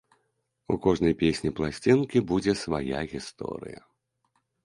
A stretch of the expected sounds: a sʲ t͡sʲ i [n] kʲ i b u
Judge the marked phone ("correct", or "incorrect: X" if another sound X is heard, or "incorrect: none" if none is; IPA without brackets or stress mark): correct